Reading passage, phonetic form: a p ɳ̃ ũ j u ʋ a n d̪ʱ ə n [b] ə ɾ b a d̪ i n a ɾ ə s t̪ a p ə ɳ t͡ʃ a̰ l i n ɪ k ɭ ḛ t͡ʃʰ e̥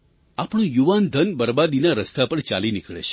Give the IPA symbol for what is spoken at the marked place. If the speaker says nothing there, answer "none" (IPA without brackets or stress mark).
b